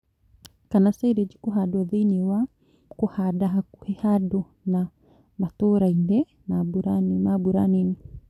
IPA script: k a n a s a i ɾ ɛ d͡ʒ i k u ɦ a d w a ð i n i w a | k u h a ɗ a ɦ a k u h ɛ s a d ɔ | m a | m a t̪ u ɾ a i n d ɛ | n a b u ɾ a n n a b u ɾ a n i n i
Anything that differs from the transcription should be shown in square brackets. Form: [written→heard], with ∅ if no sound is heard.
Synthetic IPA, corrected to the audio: k a n a s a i ɾ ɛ d͡ʒ i k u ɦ a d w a ð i n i w a | k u h a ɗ a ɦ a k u h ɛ [s→h] a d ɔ | [m→n] a | m a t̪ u ɾ a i n d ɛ | n a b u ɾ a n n a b u ɾ a n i n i